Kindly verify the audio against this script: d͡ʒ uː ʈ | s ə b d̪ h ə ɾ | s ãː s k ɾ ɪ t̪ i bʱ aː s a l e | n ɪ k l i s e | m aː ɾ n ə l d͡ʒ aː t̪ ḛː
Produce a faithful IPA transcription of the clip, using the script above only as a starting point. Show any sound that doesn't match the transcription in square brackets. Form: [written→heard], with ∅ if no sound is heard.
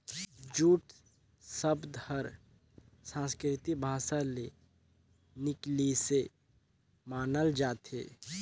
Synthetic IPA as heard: d͡ʒ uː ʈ | s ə b d̪ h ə ɾ | s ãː s k ɾ ɪ t̪ i bʱ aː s a l e | n ɪ k l i s e | m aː [ɾ→∅] n ə l d͡ʒ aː t̪ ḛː